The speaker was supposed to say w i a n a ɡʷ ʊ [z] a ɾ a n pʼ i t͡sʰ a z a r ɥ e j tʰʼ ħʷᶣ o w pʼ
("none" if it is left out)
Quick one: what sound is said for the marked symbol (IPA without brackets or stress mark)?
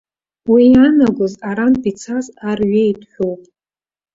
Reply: z